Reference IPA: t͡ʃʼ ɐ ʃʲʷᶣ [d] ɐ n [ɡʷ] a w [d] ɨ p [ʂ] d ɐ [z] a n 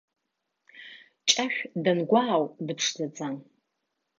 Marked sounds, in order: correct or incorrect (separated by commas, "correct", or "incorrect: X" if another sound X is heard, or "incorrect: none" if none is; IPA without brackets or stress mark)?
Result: correct, correct, correct, correct, incorrect: d͡z